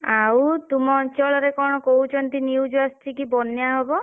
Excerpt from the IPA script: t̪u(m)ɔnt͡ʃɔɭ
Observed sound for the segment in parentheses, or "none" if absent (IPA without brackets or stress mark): m